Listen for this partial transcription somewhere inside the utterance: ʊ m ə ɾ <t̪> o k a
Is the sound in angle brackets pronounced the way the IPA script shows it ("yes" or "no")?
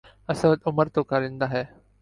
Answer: yes